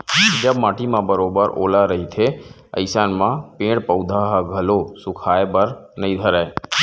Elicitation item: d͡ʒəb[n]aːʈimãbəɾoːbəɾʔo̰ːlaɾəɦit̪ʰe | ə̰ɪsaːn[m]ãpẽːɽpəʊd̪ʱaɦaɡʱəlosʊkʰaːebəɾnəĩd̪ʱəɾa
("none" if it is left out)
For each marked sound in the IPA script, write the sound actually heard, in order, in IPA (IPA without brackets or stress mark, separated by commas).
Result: m, m